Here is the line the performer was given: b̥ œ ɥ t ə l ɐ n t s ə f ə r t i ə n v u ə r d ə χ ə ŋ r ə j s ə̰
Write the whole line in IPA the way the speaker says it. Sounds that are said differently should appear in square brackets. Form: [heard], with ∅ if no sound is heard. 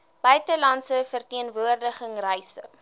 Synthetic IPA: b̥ œ ɥ t ə l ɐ n t s ə f ə r t i ə n v u ə r d ə χ ə ŋ r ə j s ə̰